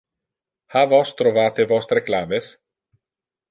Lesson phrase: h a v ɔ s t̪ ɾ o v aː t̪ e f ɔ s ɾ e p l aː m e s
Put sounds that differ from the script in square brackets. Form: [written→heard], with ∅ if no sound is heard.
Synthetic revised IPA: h a v ɔ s t̪ ɾ o v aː t̪ e [f→v] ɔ s ɾ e [p→k] l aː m e s